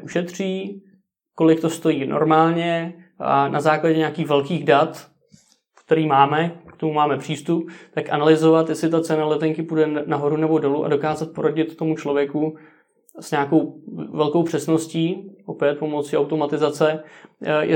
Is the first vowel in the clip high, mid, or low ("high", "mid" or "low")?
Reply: high